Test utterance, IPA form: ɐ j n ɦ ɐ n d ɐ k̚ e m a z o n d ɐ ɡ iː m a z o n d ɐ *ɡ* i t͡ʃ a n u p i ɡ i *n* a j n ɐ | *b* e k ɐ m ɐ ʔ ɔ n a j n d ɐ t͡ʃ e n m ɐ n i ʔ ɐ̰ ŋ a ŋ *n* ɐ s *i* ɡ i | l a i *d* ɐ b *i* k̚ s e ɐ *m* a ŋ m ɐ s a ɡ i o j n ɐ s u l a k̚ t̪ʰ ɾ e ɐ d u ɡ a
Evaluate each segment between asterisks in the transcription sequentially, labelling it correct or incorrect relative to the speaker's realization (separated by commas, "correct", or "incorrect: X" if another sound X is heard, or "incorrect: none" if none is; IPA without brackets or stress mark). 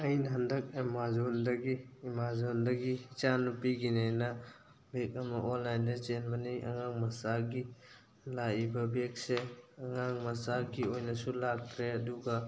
correct, correct, correct, incorrect: m, incorrect: a, incorrect: b, incorrect: e, incorrect: ŋ